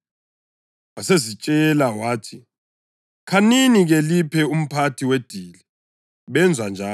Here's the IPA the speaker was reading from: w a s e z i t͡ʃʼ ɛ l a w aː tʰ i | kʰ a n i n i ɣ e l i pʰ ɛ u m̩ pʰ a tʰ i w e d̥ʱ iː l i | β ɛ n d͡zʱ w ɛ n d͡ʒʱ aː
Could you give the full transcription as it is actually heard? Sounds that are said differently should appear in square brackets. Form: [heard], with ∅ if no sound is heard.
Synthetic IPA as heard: w a s e z i t͡ʃʼ ɛ l a w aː tʰ i | kʰ a n i n i ɣ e l i pʰ ɛ u m̩ pʰ a tʰ i w e d̥ʱ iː l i | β ɛ n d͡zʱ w [a] n d͡ʒʱ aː